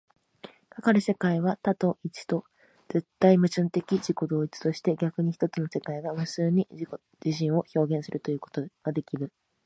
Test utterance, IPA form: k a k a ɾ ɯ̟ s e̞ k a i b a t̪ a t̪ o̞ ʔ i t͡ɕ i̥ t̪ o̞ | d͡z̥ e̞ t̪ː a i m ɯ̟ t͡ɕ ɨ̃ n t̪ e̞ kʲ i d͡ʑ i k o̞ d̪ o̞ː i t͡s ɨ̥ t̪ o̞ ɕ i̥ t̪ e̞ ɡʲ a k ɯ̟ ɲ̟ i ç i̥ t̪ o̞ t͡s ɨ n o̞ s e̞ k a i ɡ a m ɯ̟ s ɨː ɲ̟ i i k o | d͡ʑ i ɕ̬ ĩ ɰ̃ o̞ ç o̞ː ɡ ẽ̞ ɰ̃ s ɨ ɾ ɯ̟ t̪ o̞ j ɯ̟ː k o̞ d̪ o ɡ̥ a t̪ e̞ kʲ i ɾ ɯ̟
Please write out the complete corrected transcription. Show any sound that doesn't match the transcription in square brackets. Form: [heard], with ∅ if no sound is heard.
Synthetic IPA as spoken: k a k a ɾ ɯ̟ s e̞ k a i [β] a t̪ a t̪ o̞ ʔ i t͡ɕ i̥ t̪ o̞ | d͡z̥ e̞ t̪ː a i m ɯ̟ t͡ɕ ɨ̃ n t̪ e̞ kʲ i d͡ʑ i k o̞ d̪ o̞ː i t͡s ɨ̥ t̪ o̞ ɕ i̥ t̪ e̞ ɡʲ a k ɯ̟ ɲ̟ i ç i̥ t̪ o̞ t͡s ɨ n o̞ s e̞ k a i ɡ a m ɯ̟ s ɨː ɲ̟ i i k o | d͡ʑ i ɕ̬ ĩ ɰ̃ o̞ ç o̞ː ɡ ẽ̞ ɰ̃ s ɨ ɾ ɯ̟ t̪ o̞ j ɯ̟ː k o̞ [t̪] o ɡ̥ a [d̪] e̞ kʲ i ɾ ɯ̟